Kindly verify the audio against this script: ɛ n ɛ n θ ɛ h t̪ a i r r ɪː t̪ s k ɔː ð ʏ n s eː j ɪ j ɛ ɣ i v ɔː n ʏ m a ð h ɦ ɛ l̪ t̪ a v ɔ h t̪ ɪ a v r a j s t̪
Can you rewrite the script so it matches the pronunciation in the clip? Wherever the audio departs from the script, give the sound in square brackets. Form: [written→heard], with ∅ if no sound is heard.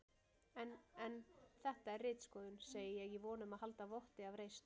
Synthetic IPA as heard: ɛ n ɛ n θ ɛ h t̪ a [i→ɛ] r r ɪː t̪ s k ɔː ð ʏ n s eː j ɪ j ɛ ɣ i v ɔː n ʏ m a ð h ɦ [ɛ→a] l̪ t̪ a v ɔ h t̪ ɪ a v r [a→e] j s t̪